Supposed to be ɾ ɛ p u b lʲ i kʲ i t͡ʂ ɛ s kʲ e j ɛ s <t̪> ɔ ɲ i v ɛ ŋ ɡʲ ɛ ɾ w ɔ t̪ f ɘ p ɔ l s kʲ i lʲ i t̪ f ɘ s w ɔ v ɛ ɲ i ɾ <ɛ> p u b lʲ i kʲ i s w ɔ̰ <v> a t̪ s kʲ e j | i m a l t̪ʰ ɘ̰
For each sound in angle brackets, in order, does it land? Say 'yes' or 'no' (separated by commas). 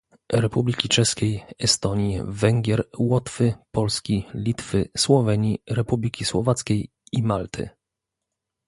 yes, yes, yes